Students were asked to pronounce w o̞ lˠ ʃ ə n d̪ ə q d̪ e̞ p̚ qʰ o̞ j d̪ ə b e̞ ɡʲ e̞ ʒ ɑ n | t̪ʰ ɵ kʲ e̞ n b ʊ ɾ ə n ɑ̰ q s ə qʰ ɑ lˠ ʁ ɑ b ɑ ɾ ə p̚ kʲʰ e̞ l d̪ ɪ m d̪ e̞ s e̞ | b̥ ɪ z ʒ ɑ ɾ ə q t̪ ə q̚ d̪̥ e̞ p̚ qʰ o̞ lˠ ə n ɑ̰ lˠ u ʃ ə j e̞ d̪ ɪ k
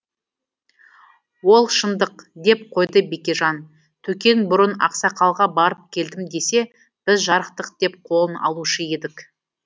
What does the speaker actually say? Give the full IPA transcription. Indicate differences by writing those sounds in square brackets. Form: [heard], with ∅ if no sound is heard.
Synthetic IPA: w o̞ lˠ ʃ ə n d̪ ə q d̪ e̞ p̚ qʰ o̞ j d̪ ə b e̞ [kʲ] e̞ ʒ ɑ n | t̪ʰ ɵ kʲ e̞ n b ʊ ɾ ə n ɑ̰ q s [ɑ] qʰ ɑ lˠ ʁ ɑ b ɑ ɾ ə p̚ kʲʰ e̞ l d̪ ɪ m d̪ e̞ s e̞ | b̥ ɪ z ʒ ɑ ɾ ə q t̪ ə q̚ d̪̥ e̞ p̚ qʰ o̞ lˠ ə n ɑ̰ lˠ u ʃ ə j e̞ d̪ ɪ k

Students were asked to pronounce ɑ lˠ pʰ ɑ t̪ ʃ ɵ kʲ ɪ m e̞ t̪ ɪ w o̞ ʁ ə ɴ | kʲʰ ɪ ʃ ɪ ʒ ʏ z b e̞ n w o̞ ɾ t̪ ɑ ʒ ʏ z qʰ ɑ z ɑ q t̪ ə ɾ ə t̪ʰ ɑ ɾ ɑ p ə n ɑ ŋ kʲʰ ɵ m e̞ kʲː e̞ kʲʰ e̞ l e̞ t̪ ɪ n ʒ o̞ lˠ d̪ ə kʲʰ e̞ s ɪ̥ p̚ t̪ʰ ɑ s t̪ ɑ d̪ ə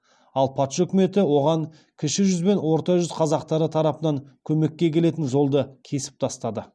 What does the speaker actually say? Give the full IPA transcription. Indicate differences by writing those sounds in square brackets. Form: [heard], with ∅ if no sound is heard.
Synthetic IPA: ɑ lˠ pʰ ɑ t̪ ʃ ɵ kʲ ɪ m e̞ t̪ ɪ w o̞ ʁ [ɑ] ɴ | kʲʰ ɪ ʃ ɪ ʒ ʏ z b e̞ n w o̞ ɾ t̪ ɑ ʒ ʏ z qʰ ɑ z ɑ q t̪ [ɑ] ɾ ə t̪ʰ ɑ ɾ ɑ p ə n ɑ ŋ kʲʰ ɵ m e̞ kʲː e̞ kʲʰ e̞ l e̞ t̪ ɪ n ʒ o̞ lˠ d̪ ə kʲʰ e̞ s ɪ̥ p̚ t̪ʰ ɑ s t̪ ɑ d̪ ə

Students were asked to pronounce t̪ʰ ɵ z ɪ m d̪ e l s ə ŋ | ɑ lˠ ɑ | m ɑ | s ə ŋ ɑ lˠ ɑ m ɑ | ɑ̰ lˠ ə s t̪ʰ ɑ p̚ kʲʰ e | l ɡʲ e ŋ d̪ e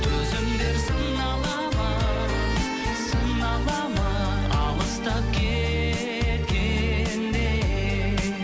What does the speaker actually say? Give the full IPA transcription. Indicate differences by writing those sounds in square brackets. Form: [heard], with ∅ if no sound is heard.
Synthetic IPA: t̪ʰ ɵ z ɪ m d̪ e [ɾ] s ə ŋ | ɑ lˠ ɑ | m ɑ | s ə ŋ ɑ lˠ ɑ m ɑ | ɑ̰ lˠ ə s [t̪] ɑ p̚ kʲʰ e | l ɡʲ e [n] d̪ e

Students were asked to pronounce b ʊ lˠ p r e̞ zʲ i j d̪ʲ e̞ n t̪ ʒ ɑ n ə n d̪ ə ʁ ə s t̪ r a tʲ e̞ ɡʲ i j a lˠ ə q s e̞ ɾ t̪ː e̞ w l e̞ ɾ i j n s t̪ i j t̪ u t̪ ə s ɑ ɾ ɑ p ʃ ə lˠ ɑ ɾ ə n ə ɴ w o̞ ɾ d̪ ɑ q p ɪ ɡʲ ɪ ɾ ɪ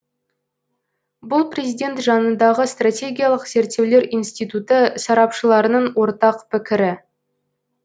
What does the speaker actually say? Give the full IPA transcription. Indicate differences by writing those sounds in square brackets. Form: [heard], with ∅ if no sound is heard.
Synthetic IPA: b ʊ lˠ p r e̞ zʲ i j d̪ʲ e̞ n t̪ ʒ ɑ n ə n d̪ [ɑ] ʁ ə s t̪ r a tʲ e̞ ɡʲ i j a lˠ ə q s e̞ ɾ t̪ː e̞ w l e̞ ɾ i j n s t̪ i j t̪ u t̪ ə s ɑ ɾ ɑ p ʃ ə lˠ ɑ ɾ ə n ə ɴ w o̞ ɾ [t̪] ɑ q p ɪ [kʲ] ɪ ɾ ɪ

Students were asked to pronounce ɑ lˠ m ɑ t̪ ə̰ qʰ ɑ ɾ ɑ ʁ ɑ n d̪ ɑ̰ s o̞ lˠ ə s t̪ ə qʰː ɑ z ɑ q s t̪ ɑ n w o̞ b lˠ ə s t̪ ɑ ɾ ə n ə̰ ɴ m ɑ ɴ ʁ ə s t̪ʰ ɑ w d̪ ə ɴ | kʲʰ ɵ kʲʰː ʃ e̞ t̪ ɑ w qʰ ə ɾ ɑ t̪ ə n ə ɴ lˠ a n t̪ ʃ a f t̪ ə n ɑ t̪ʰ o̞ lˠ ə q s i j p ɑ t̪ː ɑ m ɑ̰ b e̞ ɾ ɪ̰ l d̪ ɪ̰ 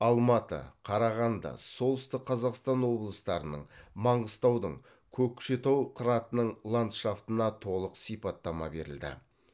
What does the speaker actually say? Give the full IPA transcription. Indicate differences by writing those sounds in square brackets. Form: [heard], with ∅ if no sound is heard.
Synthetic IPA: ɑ lˠ m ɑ t̪ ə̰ qʰ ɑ ɾ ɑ ʁ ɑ n d̪ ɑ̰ s o̞ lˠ ə s t̪ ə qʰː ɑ z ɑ q s t̪ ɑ n w o̞ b lˠ ə s t̪ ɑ ɾ ə n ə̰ ɴ m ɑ ɴ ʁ ə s [t̪] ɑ w d̪ ə ɴ | kʲʰ ɵ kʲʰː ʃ e̞ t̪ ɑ w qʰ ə ɾ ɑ t̪ ə n ə ɴ lˠ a n t̪ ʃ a f t̪ ə n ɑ t̪ʰ o̞ lˠ ə q s i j p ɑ t̪ː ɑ m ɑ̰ b e̞ ɾ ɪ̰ l d̪ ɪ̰

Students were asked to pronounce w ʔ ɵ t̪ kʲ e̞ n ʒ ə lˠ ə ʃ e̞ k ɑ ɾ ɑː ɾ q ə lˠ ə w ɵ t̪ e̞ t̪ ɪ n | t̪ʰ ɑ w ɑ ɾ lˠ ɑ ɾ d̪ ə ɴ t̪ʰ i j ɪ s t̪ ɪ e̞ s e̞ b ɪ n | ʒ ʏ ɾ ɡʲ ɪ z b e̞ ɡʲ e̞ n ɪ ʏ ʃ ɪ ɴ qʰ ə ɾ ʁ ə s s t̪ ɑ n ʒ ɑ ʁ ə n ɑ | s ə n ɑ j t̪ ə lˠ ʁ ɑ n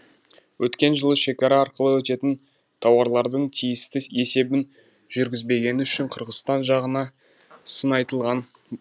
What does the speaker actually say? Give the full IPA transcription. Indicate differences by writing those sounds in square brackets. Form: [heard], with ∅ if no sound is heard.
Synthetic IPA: w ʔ ɵ t̪ kʲ e̞ n ʒ ə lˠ ə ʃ e̞ k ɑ ɾ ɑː ɾ q ə lˠ ə w ɵ t̪ e̞ t̪ ɪ n | t̪ʰ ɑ w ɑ ɾ lˠ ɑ ɾ d̪ ə ɴ t̪ʰ i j ɪ s t̪ ɪ e̞ s e̞ b ɪ n | ʒ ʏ ɾ ɡʲ ɪ z b e̞ ɡʲ e̞ n ɪ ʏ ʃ ɪ ɴ qʰ ə ɾ ʁ ə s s t̪ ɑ n ʒ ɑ ʁ ə n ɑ | s ə n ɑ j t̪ ə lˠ ʁ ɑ n

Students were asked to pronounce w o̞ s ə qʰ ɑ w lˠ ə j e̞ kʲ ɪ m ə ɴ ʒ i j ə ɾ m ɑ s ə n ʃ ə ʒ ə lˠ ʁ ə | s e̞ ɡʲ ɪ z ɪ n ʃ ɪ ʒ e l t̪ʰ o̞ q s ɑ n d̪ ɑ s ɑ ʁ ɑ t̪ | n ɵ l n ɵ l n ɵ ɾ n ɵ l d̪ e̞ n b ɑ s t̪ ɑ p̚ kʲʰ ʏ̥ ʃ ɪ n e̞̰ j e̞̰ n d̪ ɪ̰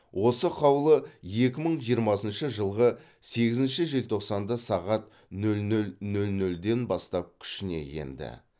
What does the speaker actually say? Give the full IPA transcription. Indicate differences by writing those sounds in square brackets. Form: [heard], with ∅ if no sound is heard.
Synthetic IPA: w o̞ s ə qʰ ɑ w lˠ ə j e̞ kʲ ɪ m ə ɴ ʒ i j ə ɾ m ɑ s ə n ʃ ə ʒ ə lˠ ʁ ə | s e̞ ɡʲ ɪ z ɪ n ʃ ɪ ʒ e l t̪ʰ o̞ q s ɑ n d̪ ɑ s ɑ ʁ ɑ t̪ | n ɵ l n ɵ l n ɵ [l] n ɵ l d̪ e̞ n b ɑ s t̪ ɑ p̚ kʲʰ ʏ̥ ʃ ɪ n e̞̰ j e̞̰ n d̪ ɪ̰

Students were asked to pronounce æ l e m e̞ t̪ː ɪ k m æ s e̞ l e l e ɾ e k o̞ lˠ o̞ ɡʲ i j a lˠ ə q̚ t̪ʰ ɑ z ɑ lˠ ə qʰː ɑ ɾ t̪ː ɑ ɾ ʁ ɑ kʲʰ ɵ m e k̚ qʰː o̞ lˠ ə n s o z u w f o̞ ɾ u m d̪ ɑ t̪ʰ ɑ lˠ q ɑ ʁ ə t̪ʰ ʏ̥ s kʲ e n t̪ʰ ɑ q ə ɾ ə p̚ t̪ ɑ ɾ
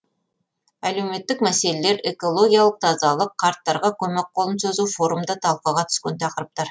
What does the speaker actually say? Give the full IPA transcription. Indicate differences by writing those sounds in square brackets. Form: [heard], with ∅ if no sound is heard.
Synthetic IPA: æ l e m e̞ t̪ː ɪ k m æ s e̞ l e l e ɾ e k o̞ lˠ o̞ ɡʲ i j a lˠ ə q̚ t̪ʰ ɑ z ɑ lˠ ə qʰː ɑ ɾ t̪ː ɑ ɾ ʁ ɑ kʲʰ ɵ m e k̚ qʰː o̞ lˠ ə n s o z u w f o̞ ɾ u m d̪ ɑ t̪ʰ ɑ lˠ q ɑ ʁ [ɑ] t̪ʰ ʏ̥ s kʲ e n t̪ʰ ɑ q ə ɾ ə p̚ t̪ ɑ ɾ

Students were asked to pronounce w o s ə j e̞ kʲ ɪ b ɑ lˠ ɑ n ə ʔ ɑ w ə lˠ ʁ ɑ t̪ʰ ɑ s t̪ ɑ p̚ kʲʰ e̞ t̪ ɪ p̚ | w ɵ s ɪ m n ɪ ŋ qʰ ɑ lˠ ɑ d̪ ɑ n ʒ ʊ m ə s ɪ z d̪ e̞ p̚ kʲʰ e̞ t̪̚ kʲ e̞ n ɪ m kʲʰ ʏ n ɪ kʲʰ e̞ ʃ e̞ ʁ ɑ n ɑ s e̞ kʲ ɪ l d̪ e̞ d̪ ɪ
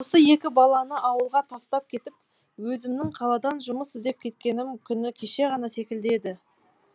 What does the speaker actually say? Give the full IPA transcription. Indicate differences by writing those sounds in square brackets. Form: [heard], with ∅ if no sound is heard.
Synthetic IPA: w o s ə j e̞ kʲ ɪ b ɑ lˠ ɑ n ə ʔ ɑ w ə lˠ ʁ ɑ t̪ʰ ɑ s t̪ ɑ p̚ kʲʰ e̞ t̪ ɪ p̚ | w ɵ [z] ɪ m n ɪ ŋ qʰ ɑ lˠ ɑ d̪ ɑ n ʒ ʊ m ə s ɪ z d̪ e̞ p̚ kʲʰ e̞ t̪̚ kʲ e̞ n ɪ m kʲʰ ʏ n ɪ kʲʰ e̞ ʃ e̞ ʁ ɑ n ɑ s e̞ kʲ ɪ l d̪ e̞ d̪ ɪ

